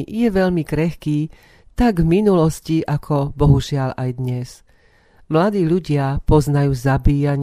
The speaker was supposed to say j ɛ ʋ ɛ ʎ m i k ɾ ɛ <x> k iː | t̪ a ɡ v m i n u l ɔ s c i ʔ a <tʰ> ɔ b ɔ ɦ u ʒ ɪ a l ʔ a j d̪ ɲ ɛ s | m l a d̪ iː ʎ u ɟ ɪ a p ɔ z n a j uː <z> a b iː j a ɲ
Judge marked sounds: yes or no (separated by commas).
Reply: yes, no, yes